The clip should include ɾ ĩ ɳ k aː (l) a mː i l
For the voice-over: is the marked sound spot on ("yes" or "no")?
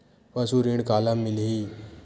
yes